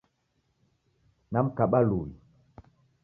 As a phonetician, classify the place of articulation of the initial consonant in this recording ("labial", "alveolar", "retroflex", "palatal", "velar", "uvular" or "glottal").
alveolar